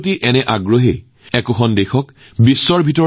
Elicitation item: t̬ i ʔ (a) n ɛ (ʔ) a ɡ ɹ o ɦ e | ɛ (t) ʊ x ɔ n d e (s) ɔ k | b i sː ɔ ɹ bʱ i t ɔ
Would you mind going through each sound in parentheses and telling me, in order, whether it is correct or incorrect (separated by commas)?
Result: incorrect, correct, incorrect, incorrect